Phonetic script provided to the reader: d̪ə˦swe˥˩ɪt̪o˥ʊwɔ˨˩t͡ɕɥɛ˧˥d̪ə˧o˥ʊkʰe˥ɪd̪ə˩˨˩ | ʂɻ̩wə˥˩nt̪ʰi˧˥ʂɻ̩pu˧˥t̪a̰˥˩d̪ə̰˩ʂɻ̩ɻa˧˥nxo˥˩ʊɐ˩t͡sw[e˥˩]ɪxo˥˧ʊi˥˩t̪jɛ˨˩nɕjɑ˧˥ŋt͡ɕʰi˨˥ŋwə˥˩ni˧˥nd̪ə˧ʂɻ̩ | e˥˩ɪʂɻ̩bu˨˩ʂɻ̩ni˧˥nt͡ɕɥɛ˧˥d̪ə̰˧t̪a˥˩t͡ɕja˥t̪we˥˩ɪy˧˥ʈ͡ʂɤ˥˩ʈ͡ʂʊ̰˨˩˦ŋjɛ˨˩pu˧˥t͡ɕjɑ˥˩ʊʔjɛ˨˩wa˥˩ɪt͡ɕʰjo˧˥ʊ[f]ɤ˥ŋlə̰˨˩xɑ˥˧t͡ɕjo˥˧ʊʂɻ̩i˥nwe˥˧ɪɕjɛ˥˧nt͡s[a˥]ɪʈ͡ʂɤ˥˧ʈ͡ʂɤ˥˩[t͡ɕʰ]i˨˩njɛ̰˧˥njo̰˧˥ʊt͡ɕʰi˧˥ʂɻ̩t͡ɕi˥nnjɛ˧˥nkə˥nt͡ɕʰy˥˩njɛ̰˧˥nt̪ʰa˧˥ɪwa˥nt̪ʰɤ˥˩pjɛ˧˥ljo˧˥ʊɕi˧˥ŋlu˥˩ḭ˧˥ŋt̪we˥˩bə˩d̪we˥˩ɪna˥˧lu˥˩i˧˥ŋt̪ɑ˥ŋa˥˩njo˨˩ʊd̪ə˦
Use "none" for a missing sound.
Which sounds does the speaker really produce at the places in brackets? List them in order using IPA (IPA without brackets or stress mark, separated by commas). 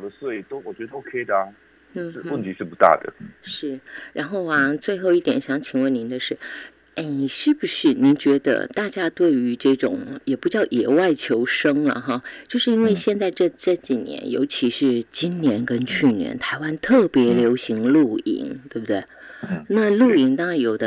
e˥˧, ʂ, a˥˧, t͡ɕ